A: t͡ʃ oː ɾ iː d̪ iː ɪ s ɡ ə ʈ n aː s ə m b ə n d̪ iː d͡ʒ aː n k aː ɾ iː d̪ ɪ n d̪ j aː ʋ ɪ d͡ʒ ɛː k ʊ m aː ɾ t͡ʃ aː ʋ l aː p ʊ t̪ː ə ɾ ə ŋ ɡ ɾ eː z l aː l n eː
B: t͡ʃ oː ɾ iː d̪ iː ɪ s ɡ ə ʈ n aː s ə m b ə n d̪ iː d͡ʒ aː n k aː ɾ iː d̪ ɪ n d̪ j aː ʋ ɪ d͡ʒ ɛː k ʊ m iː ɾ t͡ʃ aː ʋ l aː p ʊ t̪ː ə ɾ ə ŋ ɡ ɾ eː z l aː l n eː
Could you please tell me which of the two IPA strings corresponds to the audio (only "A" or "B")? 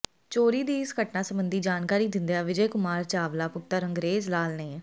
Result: A